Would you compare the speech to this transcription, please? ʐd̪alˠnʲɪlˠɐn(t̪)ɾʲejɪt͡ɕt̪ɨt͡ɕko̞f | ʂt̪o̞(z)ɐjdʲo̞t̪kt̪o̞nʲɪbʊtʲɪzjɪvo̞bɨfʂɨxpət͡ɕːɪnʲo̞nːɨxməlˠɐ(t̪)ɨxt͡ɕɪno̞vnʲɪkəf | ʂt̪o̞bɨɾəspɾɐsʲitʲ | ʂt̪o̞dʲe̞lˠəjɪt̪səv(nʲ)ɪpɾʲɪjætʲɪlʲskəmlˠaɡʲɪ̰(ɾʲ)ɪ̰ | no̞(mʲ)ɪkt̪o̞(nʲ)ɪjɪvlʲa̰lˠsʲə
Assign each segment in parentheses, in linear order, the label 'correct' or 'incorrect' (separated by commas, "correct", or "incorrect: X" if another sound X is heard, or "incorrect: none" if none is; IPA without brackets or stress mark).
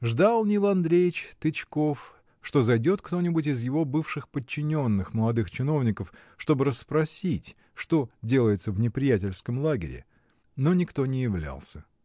incorrect: d̪, correct, incorrect: d̪, correct, correct, incorrect: nʲ, correct